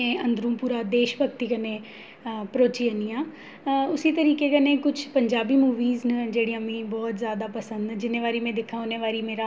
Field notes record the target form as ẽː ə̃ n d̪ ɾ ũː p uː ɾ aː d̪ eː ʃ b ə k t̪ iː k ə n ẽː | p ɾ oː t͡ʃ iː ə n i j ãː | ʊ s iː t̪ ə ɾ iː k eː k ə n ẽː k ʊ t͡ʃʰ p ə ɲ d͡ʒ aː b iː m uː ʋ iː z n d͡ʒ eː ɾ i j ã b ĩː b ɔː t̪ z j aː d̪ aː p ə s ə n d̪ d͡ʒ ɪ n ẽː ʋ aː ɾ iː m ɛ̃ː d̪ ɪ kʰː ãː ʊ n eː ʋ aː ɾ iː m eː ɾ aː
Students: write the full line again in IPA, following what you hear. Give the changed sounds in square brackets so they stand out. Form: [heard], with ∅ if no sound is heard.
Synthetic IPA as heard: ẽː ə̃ n d̪ ɾ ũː p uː ɾ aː d̪ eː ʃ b ə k t̪ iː k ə n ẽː | p ɾ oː t͡ʃ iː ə n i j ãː | ʊ s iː t̪ ə ɾ iː k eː k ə n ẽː k ʊ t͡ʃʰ p ə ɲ d͡ʒ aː b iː m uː ʋ iː z n d͡ʒ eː [ɽ] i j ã [m] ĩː b ɔː t̪ z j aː d̪ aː p ə s ə n d̪ d͡ʒ ɪ n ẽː ʋ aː ɾ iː m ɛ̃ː d̪ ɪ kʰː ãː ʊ n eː ʋ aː ɾ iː m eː ɾ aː